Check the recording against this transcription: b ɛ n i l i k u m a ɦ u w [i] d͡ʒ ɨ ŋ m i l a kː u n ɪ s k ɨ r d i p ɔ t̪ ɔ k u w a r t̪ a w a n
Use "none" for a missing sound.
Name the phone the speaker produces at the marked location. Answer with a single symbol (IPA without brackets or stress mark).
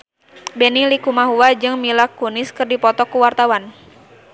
a